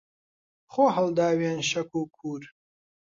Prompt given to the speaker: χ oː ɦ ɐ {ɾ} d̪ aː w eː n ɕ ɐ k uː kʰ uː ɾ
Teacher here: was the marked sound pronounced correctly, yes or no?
no